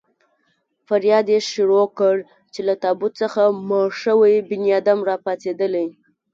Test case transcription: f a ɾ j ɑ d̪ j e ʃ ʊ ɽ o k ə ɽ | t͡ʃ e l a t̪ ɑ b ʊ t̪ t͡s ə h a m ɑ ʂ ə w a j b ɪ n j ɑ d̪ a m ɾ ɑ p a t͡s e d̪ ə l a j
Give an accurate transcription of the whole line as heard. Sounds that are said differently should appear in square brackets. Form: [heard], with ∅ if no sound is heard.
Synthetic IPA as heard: f a ɾ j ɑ d̪ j e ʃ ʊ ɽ o k ə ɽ | t͡ʃ e l a t̪ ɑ b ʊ t̪ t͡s ə [x] a m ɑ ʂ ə w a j b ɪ n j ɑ d̪ a m ɾ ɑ p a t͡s e d̪ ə l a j